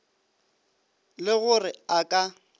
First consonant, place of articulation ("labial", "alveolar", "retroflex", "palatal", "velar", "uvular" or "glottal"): alveolar